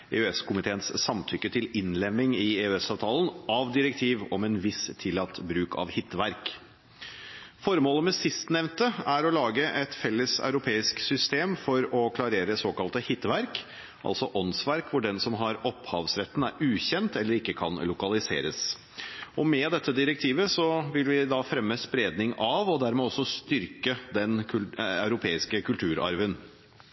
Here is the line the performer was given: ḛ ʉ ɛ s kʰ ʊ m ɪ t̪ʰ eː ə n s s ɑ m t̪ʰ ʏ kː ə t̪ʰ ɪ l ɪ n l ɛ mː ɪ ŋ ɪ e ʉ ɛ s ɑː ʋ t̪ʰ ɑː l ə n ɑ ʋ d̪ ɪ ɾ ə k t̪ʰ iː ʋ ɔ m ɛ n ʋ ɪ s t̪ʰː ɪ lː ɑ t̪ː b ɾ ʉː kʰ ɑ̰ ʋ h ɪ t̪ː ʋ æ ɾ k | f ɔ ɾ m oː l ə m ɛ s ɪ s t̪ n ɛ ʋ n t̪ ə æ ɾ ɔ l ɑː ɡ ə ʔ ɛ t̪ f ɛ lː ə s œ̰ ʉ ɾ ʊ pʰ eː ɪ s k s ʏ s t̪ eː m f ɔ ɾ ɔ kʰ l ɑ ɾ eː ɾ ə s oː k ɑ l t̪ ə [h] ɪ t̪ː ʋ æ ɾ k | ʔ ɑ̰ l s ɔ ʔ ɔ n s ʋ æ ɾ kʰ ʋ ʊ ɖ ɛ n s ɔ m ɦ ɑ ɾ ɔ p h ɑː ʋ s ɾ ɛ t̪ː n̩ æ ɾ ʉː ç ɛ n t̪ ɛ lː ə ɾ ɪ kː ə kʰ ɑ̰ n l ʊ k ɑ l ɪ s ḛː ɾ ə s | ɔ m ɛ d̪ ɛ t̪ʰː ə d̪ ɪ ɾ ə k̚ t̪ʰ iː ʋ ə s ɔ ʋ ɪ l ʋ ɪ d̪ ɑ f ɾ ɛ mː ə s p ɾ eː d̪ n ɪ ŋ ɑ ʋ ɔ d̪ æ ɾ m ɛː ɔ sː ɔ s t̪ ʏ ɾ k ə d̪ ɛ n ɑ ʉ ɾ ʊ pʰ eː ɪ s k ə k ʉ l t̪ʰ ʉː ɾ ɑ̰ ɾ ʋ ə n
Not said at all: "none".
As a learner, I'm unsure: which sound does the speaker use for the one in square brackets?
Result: h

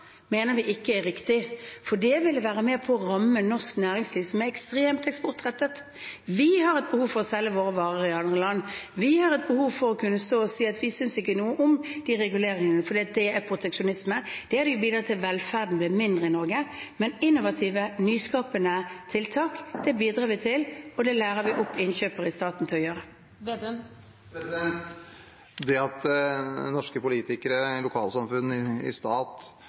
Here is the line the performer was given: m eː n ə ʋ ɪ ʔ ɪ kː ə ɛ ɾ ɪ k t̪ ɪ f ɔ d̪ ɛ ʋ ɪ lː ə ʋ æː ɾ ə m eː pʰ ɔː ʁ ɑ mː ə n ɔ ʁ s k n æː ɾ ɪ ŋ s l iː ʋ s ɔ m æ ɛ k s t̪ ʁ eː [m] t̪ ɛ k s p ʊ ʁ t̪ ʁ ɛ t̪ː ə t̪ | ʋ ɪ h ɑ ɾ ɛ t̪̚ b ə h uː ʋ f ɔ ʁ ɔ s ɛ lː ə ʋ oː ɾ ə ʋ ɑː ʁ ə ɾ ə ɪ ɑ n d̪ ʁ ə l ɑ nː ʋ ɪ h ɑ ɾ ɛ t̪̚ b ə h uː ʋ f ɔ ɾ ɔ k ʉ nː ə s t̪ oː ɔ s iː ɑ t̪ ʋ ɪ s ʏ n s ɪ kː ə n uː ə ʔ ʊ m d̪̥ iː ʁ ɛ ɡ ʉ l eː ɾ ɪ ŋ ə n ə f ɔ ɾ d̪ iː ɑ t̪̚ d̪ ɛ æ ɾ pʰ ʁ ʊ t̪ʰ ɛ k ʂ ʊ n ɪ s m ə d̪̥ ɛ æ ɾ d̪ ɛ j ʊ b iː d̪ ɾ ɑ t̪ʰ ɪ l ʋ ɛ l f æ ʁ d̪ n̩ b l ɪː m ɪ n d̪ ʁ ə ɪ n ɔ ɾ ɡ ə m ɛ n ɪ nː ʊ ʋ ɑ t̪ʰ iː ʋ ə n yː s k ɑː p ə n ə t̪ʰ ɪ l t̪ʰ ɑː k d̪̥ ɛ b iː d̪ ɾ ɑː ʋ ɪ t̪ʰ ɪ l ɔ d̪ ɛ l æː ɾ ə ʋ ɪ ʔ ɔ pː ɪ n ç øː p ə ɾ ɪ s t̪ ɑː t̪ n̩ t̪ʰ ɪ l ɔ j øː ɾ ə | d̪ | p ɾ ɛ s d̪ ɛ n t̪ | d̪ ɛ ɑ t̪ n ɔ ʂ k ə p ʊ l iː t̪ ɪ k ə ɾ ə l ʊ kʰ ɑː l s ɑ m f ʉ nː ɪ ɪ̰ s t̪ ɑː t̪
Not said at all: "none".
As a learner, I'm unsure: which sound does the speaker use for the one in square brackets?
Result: m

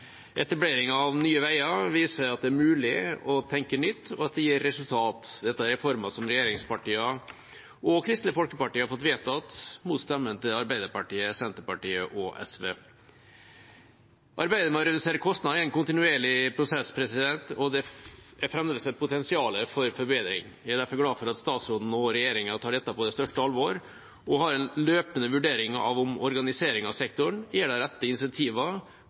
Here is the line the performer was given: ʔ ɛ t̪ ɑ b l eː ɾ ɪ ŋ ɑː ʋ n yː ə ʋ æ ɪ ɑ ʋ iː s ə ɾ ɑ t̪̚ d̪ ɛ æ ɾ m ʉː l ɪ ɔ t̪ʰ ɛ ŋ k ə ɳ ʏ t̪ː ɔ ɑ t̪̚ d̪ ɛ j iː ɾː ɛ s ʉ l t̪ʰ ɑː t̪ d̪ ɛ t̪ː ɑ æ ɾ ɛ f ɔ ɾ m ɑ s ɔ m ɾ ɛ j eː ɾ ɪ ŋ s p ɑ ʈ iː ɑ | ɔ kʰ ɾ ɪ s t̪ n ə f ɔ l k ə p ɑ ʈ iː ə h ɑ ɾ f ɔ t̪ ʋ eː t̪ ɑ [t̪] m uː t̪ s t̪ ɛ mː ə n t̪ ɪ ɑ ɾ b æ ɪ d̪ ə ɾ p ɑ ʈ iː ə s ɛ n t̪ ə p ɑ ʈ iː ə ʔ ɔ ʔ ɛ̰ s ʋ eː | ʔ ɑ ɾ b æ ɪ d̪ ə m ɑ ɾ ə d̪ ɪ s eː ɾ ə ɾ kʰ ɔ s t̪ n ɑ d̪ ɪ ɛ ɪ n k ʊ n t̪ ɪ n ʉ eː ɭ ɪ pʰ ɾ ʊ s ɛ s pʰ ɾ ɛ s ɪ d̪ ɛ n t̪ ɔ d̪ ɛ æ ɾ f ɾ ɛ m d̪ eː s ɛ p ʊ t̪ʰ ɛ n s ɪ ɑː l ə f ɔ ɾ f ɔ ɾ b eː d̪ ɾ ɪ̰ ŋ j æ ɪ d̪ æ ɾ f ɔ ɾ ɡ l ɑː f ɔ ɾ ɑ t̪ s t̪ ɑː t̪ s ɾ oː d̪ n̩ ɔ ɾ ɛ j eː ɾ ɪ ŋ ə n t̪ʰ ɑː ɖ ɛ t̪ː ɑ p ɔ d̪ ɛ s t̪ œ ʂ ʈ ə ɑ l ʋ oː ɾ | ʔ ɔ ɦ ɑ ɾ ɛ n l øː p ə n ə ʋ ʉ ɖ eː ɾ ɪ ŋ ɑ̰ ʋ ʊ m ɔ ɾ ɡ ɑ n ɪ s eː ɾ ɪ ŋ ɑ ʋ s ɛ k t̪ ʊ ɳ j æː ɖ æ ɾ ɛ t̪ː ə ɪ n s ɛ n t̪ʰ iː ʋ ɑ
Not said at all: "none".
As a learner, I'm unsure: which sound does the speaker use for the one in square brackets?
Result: t̪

